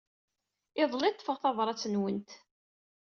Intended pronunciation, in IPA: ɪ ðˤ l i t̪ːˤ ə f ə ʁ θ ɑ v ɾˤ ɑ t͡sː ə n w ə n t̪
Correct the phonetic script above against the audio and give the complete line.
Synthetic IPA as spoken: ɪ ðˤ l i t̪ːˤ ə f ə ʁ θ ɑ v ɾˤ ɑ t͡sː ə n w ə n t̪